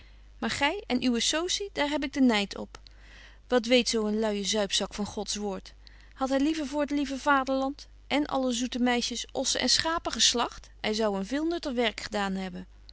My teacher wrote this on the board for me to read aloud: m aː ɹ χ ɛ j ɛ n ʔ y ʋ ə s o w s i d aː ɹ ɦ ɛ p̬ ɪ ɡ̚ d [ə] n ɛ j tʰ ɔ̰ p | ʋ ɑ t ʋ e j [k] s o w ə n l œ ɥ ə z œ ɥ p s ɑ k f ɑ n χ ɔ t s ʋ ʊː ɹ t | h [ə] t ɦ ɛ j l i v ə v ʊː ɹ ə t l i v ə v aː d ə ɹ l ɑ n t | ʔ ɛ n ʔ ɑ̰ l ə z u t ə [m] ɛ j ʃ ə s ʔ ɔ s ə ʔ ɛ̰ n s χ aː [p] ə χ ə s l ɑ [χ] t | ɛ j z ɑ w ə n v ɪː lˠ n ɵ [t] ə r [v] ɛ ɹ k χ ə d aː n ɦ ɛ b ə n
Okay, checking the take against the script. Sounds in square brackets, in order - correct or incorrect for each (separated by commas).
correct, incorrect, incorrect, correct, correct, correct, correct, incorrect